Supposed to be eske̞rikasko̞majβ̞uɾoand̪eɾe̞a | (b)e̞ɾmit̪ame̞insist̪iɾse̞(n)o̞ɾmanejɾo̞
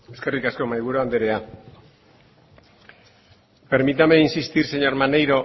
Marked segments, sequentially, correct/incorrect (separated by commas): incorrect, incorrect